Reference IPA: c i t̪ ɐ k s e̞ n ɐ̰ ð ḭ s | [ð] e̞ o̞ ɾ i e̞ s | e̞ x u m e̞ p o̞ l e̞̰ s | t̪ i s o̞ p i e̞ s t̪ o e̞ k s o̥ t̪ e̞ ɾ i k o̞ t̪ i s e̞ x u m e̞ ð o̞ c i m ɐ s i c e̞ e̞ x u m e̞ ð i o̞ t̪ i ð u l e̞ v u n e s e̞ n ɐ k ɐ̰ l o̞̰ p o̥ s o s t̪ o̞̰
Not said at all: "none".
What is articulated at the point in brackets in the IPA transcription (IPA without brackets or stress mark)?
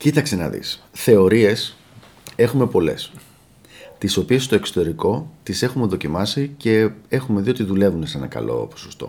θ